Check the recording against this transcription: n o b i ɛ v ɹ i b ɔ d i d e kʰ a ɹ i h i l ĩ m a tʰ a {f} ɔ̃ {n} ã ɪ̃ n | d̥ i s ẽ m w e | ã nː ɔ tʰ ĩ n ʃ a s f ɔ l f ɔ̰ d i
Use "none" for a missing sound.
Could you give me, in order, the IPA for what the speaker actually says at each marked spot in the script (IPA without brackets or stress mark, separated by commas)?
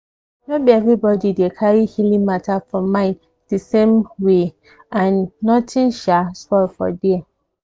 f, m